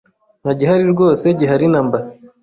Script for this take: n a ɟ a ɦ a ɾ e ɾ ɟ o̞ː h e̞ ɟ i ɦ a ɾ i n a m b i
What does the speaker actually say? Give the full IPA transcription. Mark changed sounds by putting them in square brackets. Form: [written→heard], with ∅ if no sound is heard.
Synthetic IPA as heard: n a ɟ [a→i] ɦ a ɾ [e→i] ɾ [ɟ→ɡ] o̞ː [h→s] e̞ ɟ i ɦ a ɾ i n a m b [i→a]